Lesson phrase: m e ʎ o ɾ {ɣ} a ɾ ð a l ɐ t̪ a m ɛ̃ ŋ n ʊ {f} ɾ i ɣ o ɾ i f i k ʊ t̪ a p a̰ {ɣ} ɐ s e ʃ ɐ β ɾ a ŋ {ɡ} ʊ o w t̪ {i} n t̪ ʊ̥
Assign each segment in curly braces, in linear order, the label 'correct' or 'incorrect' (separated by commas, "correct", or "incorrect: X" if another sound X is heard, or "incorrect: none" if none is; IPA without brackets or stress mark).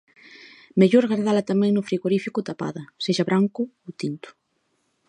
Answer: correct, correct, incorrect: ð, incorrect: k, correct